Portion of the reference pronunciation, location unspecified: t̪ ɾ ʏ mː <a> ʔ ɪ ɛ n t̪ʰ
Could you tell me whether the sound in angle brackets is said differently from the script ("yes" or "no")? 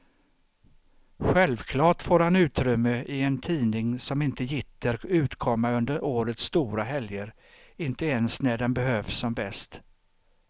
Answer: yes